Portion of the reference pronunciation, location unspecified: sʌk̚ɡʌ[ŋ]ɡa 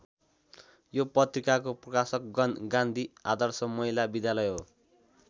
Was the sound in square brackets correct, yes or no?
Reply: no